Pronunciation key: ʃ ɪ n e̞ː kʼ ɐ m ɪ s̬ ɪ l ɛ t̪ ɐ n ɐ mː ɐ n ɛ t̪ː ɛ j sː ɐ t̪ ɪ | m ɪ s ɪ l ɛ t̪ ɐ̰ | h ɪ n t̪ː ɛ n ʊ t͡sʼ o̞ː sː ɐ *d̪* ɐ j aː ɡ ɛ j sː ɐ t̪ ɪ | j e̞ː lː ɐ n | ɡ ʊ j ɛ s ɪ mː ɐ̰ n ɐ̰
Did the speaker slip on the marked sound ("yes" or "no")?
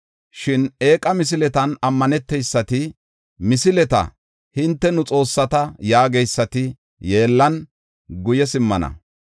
yes